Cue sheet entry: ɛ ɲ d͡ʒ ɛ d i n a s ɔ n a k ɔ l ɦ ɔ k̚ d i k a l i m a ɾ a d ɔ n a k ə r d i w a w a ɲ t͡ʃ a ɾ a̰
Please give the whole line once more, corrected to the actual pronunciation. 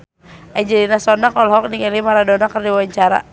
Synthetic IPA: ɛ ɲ d͡ʒ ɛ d i n a s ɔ n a k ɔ l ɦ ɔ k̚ n i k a l i m a ɾ a d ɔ n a k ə r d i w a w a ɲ t͡ʃ a ɾ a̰